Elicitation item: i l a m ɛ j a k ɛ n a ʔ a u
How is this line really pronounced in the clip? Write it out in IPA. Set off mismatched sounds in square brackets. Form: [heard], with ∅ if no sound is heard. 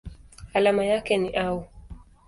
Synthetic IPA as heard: [a] l a m [a] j a k ɛ n [i] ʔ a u